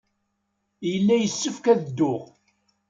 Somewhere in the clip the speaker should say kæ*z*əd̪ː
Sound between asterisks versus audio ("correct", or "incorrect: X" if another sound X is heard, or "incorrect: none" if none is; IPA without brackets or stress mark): incorrect: ð